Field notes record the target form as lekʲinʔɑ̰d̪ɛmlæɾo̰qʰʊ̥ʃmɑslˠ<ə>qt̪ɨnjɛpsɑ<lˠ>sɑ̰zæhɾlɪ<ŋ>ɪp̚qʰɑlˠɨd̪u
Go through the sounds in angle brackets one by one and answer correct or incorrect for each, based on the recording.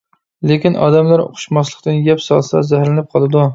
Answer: correct, correct, incorrect

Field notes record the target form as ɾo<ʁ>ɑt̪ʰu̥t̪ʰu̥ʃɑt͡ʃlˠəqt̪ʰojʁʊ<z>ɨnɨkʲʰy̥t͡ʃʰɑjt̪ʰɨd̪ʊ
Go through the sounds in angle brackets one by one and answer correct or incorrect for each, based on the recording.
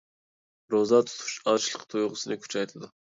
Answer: incorrect, incorrect

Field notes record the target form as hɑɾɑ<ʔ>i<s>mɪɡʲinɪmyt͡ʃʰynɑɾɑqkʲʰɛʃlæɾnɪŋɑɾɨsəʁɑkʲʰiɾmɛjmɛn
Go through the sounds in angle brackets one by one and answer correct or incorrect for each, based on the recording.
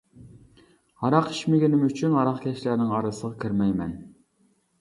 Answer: incorrect, incorrect

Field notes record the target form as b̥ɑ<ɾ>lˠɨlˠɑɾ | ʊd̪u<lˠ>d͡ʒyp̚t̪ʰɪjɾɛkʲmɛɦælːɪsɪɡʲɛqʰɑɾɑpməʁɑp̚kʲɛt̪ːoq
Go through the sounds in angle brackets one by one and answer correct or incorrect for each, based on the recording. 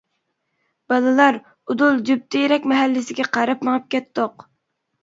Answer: incorrect, correct

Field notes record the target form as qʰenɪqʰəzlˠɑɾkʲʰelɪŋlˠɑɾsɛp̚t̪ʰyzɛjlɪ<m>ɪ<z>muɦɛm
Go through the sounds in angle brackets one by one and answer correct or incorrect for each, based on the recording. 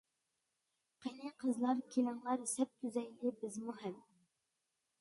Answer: incorrect, correct

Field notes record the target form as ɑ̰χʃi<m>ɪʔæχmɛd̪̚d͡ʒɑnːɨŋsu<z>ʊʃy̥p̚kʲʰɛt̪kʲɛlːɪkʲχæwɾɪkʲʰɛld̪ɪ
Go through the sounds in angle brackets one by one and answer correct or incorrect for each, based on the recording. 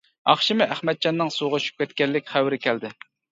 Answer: correct, incorrect

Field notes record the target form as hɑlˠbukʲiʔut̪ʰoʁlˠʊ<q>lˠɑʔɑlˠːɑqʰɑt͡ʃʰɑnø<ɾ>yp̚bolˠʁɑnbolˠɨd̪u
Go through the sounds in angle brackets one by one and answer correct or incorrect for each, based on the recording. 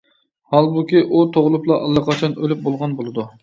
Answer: incorrect, incorrect

